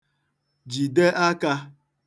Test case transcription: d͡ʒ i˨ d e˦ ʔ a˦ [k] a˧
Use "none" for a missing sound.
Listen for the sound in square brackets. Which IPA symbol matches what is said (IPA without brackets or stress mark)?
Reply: k